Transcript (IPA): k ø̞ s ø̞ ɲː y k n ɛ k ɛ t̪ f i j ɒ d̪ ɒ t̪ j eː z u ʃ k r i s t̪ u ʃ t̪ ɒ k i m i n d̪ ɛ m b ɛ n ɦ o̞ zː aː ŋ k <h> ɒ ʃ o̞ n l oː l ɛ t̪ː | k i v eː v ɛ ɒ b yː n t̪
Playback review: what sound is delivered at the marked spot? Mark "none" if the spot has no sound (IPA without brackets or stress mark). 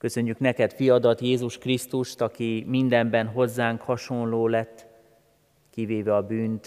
h